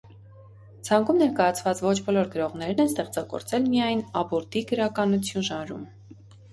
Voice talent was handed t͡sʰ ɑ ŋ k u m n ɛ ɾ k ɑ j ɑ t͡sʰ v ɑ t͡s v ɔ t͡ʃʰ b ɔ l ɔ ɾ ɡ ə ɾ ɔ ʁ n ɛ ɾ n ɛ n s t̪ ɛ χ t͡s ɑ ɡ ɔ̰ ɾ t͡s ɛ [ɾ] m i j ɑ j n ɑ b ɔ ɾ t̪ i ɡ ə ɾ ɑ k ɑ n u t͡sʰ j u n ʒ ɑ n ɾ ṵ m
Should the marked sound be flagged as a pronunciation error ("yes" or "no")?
yes